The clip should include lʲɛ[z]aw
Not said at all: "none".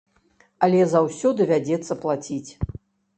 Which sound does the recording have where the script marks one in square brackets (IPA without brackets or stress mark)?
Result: z